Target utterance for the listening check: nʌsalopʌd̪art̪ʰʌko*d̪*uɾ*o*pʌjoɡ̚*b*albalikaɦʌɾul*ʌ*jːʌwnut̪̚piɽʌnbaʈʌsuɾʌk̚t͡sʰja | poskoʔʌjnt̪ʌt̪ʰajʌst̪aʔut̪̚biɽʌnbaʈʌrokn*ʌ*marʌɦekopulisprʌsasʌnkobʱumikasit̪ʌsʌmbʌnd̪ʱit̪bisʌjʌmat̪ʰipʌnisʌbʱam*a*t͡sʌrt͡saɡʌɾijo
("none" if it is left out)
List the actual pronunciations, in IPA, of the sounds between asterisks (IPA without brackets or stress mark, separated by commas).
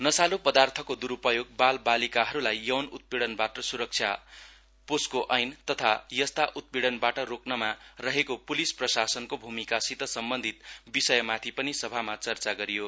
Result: d̪, u, b, a, ʌ, a